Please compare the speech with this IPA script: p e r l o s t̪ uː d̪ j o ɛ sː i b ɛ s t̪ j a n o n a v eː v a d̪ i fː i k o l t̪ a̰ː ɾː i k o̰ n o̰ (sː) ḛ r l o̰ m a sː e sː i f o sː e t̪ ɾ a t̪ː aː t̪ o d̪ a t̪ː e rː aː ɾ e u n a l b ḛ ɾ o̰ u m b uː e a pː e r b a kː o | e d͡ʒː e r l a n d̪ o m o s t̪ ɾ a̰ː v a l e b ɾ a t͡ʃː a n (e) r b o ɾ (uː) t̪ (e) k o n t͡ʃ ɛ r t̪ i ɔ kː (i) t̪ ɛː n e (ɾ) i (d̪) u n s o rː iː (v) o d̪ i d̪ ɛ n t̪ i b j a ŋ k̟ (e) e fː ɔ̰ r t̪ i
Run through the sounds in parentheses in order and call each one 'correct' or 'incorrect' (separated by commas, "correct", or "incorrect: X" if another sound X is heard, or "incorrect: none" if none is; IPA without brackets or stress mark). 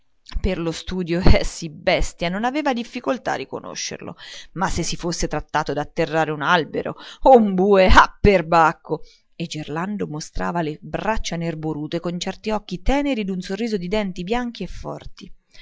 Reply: incorrect: ʃː, correct, correct, correct, correct, correct, correct, incorrect: z, incorrect: i